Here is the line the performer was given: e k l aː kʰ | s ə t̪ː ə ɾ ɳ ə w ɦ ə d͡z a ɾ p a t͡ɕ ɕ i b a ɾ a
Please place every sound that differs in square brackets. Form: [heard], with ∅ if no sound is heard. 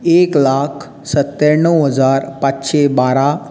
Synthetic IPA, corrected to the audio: e k l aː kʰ | s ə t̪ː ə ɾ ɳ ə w ɦ ə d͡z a ɾ p a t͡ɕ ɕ [e] b a ɾ a